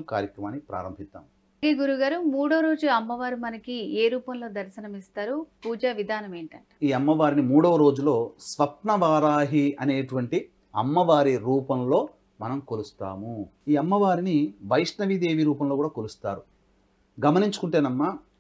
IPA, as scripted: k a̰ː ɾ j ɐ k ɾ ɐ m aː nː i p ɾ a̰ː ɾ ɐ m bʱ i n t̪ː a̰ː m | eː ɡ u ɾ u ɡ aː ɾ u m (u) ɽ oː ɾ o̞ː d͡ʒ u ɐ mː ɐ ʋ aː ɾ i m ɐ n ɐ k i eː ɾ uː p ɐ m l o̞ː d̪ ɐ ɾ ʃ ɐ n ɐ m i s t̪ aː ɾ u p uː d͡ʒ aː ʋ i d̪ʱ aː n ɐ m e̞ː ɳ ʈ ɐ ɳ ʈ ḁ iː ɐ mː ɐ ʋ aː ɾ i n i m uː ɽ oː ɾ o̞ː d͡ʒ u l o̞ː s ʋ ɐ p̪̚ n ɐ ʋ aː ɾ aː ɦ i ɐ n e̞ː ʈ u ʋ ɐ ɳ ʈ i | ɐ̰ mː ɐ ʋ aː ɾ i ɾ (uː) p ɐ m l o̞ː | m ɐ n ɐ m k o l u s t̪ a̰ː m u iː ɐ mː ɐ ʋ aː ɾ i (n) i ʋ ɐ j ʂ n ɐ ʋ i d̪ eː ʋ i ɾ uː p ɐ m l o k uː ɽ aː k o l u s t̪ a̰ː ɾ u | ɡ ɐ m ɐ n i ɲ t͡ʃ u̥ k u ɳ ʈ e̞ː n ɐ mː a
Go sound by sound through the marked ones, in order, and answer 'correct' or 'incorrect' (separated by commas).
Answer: incorrect, correct, correct